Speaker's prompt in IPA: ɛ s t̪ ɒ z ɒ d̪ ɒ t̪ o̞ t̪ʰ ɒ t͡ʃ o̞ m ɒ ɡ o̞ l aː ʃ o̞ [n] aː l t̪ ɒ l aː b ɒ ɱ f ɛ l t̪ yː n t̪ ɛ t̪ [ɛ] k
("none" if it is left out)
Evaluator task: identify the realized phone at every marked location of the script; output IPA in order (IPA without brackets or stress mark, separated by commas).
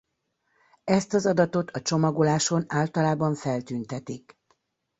n, i